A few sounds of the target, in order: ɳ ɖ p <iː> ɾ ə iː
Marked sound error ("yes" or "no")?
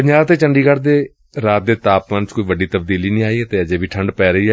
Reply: yes